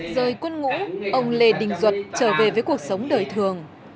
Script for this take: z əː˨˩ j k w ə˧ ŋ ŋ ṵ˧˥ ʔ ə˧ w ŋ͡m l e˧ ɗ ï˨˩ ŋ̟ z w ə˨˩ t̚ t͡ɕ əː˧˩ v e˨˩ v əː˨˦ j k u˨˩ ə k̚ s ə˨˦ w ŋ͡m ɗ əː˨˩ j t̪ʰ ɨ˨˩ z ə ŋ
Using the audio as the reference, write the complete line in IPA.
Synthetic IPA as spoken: z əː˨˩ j k w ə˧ n ŋ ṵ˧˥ ʔ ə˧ w ŋ͡m l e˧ ɗ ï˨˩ ŋ̟ z w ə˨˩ t̚ t͡ɕ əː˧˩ v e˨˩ v əː˨˦ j k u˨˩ ə k̚ s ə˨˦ w ŋ͡m ɗ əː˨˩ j t̪ʰ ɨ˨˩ ə ŋ

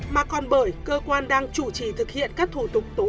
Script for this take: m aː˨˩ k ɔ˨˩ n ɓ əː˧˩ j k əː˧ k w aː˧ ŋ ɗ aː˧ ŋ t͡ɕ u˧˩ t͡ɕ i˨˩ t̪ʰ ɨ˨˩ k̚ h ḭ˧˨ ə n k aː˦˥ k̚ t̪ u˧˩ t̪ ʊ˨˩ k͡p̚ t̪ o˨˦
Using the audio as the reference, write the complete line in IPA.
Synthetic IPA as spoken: m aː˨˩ k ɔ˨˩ n ɓ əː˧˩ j k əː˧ k w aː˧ n ɗ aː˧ ŋ t͡ɕ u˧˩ t͡ɕ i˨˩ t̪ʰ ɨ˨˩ k̚ h ḭ˧˨ ə n k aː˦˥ k̚ t̪ʰ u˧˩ t̪ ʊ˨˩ k͡p̚ t̪ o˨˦

